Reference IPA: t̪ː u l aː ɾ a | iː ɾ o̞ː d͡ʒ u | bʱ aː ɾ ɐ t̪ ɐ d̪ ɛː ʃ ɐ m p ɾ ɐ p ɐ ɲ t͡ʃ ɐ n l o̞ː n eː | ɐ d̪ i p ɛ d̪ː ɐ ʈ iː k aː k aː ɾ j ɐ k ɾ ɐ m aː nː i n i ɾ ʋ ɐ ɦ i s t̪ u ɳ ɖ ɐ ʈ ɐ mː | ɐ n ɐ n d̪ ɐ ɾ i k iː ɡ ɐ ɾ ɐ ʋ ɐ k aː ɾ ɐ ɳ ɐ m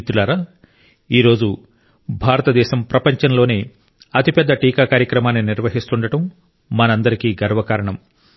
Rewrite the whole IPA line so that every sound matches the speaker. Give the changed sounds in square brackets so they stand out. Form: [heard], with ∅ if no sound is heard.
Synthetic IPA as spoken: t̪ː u l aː ɾ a | iː ɾ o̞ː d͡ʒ u | bʱ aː ɾ ɐ t̪ ɐ d̪ ɛː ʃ ɐ m p ɾ ɐ p ɐ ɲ t͡ʃ ɐ n l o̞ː n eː | ɐ [t̪] i p ɛ d̪ː ɐ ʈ iː k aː k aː ɾ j ɐ k ɾ ɐ m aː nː i n i ɾ ʋ ɐ ɦ i s t̪ u ɳ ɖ ɐ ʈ ɐ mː | ɐ n ɐ n d̪ ɐ ɾ i k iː ɡ ɐ ɾ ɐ ʋ ɐ k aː ɾ ɐ ɳ ɐ m